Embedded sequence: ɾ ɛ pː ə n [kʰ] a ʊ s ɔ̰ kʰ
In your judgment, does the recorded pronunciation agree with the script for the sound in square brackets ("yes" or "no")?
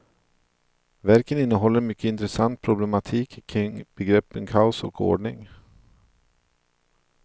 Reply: yes